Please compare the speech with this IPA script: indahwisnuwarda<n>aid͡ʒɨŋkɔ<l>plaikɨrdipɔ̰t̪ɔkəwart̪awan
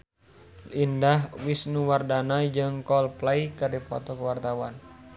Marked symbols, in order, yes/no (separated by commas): yes, yes